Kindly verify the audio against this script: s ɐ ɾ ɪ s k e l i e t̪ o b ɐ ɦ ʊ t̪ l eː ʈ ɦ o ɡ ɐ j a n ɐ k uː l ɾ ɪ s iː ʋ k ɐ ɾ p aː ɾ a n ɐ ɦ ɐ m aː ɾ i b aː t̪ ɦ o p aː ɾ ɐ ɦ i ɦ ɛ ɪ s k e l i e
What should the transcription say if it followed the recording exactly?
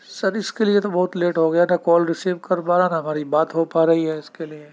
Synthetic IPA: s ɐ ɾ ɪ s k e l i e t̪ o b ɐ ɦ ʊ t̪ l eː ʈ ɦ o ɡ ɐ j a n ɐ k ɔː l ɾ ɪ s iː ʋ k ɐ ɾ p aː ɾ a n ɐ ɦ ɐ m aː ɾ i b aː t̪ ɦ o p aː ɾ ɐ ɦ i ɦ ɛ ɪ s k e l i e